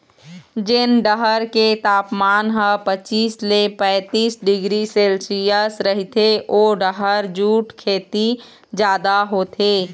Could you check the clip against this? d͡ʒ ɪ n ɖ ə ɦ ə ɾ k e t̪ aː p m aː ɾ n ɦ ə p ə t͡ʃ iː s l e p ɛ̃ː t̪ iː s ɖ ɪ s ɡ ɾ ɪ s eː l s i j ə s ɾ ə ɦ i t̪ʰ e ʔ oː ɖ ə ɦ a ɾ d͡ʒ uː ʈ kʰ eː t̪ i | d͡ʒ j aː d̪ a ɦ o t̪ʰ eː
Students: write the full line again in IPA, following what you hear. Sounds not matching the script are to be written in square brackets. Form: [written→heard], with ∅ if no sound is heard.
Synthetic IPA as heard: d͡ʒ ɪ n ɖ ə ɦ ə ɾ k e t̪ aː p m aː [ɾ→∅] n ɦ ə p ə t͡ʃ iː s l e p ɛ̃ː t̪ iː s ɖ ɪ [s→∅] ɡ ɾ [ɪ→i] s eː l s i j ə s ɾ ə ɦ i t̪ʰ e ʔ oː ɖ ə ɦ [a→ə] ɾ d͡ʒ uː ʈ kʰ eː t̪ i | d͡ʒ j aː d̪ a ɦ o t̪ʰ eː